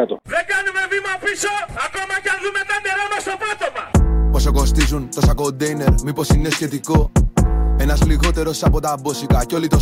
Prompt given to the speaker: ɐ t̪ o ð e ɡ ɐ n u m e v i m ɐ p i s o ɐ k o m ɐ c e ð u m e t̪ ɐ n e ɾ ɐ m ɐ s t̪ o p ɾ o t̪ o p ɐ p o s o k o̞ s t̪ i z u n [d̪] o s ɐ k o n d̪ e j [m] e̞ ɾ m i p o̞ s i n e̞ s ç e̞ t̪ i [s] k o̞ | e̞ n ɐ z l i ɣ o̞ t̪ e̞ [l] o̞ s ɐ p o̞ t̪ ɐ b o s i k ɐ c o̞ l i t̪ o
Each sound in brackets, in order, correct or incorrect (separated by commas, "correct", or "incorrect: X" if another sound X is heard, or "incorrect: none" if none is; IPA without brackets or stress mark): incorrect: t̪, incorrect: n, incorrect: none, incorrect: ɾ